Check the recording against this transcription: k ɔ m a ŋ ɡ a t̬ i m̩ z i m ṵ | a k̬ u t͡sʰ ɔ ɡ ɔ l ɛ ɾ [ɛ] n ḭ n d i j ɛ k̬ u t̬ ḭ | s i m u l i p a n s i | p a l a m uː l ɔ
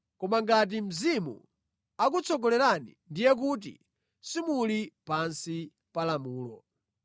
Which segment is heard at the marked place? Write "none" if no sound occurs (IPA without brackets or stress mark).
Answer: a